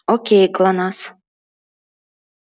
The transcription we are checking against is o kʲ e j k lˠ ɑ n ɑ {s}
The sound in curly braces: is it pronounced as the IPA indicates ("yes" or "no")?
yes